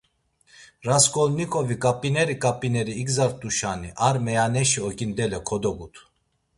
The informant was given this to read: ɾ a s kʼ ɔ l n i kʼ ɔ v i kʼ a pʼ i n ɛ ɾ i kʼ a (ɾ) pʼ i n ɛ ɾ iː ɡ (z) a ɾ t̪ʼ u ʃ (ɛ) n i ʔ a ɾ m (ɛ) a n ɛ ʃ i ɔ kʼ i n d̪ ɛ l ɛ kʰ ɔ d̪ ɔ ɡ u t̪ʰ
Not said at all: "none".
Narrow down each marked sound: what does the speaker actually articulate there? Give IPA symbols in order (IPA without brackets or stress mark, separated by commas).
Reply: none, z, a, ɛ